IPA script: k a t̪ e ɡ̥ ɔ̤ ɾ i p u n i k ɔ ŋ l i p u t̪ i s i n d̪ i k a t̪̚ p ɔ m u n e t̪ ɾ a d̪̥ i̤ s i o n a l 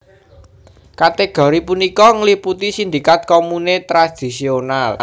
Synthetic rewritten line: k a t̪ e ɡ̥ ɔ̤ ɾ i p u n i k ɔ ŋ l i p u t̪ i s i n d̪ i k a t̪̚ k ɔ m u n e t̪ ɾ a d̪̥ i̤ s i o n a l